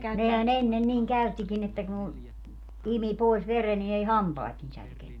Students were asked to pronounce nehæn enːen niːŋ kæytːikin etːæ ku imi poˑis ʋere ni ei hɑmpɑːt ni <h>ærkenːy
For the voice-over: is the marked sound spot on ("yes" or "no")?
no